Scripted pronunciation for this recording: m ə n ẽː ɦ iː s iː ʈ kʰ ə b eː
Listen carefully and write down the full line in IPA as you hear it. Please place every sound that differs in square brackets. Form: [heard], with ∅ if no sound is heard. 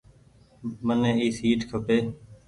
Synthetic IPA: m ə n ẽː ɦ iː s iː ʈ kʰ ə [p] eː